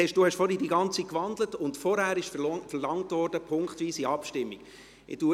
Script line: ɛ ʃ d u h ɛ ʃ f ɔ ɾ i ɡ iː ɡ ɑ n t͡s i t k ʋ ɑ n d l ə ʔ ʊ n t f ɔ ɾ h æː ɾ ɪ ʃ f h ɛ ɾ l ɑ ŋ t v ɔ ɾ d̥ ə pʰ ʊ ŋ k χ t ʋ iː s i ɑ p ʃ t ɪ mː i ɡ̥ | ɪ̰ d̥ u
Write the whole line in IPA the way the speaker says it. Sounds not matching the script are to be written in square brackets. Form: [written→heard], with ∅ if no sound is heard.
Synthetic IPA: ɛ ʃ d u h ɛ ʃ f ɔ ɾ i [ɡ→d] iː ɡ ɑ n t͡s i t k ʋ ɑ n d l ə [ʔ→t] ʊ n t f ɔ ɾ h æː ɾ ɪ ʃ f [h→f] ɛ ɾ l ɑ ŋ t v ɔ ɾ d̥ ə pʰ ʊ ŋ k χ t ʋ iː s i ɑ p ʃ t ɪ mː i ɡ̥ | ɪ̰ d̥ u